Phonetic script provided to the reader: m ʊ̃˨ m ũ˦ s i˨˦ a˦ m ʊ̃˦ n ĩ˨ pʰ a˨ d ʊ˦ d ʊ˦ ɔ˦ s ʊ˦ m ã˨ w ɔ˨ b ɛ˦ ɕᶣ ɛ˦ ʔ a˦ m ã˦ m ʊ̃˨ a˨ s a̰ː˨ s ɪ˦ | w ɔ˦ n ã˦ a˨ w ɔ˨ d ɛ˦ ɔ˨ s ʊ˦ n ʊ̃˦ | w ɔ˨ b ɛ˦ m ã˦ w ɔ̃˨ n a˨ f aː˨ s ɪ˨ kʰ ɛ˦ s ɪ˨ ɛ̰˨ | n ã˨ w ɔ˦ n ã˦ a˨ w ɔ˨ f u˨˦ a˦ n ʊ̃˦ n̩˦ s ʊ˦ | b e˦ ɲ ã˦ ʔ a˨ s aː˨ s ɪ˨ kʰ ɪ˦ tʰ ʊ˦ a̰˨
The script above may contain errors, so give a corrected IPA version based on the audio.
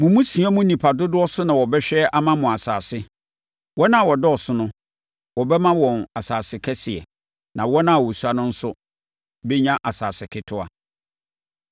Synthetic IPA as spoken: m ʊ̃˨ m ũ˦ s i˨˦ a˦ m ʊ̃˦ n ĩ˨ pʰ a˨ d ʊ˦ d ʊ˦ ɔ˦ s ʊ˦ n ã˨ w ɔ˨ b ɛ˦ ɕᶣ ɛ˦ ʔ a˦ m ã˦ m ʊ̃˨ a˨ s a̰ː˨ s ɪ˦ | w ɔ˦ n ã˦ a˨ w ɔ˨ d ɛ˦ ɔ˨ s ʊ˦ n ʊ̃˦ | w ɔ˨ b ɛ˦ m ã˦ w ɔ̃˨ n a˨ s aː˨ s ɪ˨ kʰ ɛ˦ s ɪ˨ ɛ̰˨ | n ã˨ w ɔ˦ n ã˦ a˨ w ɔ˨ s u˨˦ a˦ n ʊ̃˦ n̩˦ s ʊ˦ | b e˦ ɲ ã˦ ʔ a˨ s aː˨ s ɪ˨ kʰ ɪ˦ tʰ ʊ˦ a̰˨